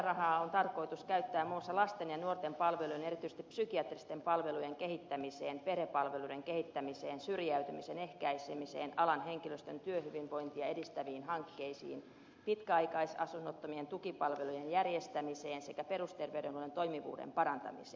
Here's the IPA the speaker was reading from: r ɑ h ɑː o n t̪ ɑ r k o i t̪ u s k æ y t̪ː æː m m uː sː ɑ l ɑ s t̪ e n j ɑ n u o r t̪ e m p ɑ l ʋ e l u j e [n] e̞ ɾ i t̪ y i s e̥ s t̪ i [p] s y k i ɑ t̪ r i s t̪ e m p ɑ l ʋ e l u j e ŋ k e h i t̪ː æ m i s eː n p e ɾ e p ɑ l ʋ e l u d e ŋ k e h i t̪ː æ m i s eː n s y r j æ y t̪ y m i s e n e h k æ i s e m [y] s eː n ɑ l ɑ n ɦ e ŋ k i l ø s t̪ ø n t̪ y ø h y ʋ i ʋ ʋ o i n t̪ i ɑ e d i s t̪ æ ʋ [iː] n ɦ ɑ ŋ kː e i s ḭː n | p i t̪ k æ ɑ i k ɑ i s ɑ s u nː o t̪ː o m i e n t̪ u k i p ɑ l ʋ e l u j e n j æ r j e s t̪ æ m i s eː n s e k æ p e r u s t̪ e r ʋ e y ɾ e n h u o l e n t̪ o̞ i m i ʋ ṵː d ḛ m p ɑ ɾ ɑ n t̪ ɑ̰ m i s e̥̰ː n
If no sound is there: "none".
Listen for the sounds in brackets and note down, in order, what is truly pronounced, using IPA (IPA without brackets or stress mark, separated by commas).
n, p, i, iː